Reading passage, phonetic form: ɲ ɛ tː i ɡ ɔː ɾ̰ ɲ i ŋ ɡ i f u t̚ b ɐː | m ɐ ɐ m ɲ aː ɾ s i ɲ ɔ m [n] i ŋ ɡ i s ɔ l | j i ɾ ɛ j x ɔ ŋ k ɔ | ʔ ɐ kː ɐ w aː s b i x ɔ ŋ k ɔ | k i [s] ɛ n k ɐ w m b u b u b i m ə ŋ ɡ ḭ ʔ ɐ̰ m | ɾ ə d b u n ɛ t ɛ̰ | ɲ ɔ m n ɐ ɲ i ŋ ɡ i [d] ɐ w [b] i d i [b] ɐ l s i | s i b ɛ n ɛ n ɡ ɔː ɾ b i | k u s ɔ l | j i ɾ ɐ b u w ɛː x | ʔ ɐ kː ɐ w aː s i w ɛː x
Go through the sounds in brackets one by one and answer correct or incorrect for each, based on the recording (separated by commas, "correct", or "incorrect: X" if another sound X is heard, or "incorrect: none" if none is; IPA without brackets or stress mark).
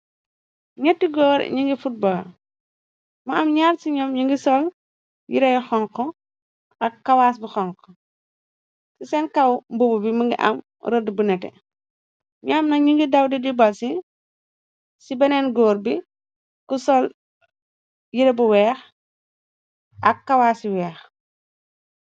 incorrect: ɲ, correct, correct, incorrect: d, correct